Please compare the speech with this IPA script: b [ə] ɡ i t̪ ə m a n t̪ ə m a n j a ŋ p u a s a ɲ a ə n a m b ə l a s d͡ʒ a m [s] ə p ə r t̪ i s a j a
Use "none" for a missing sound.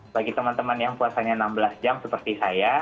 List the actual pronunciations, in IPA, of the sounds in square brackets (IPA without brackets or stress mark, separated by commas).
a, s